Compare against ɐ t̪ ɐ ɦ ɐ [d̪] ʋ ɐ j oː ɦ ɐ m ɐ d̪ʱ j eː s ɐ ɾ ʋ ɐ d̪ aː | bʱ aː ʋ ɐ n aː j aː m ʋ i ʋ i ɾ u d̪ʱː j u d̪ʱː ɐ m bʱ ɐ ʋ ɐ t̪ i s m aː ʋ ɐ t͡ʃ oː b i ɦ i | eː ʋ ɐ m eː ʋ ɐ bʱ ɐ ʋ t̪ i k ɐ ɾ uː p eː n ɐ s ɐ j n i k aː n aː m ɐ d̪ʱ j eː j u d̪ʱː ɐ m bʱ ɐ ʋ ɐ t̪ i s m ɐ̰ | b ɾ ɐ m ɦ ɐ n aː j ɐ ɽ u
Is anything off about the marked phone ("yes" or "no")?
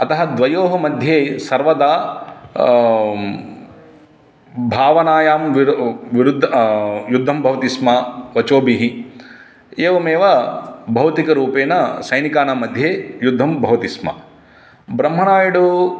no